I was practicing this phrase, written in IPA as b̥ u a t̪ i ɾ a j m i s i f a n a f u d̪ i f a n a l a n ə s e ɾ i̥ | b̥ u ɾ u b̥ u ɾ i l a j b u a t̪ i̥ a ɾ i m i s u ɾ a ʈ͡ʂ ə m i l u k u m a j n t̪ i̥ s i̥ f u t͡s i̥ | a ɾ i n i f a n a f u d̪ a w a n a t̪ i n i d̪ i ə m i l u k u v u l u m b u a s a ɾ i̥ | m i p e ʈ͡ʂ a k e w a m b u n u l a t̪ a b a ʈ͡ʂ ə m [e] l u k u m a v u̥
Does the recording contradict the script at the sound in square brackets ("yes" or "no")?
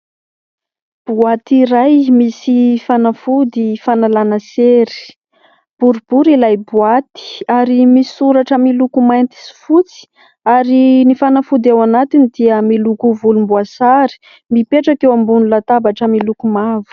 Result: yes